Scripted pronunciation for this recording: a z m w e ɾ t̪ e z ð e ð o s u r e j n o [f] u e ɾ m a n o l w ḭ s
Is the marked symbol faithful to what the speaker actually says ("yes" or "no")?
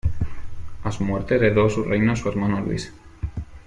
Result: no